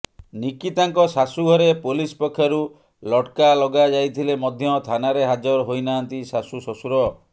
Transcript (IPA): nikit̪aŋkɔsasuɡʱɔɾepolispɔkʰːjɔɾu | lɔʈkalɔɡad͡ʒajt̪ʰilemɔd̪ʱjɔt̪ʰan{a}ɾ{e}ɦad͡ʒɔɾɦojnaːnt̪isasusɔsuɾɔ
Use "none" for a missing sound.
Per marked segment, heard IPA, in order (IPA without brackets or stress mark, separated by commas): a, e